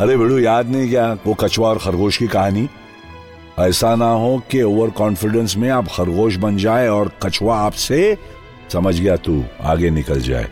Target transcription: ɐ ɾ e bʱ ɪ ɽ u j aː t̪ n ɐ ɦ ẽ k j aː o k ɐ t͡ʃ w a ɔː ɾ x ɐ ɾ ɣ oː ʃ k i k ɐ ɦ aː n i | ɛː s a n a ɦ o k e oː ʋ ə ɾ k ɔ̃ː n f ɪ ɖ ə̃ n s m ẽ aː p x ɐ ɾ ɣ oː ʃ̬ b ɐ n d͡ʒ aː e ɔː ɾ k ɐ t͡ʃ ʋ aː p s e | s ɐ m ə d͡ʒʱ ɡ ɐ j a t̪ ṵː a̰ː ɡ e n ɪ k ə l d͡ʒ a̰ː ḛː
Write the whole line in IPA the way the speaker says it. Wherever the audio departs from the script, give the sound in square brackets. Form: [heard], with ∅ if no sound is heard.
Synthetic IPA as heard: ɐ ɾ e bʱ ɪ ɽ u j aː [d̪] n ɐ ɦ [ĩ] k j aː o k ɐ t͡ʃ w a ɔː ɾ x ɐ ɾ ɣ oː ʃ k i k ɐ ɦ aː n i | ɛː s a n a ɦ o k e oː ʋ ə ɾ k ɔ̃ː n f ɪ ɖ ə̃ n s m ẽ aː p x ɐ ɾ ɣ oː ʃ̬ b ɐ n d͡ʒ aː e ɔː ɾ k ɐ t͡ʃ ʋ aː p s e | s ɐ m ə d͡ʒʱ ɡ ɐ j a t̪ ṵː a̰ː ɡ e n ɪ k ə l d͡ʒ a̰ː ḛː